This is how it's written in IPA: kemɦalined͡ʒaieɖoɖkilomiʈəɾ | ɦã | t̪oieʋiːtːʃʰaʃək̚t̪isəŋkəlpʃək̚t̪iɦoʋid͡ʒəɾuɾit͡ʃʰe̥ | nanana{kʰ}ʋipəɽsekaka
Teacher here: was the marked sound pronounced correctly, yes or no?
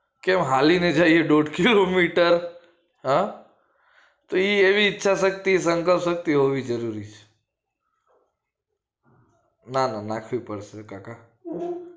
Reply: yes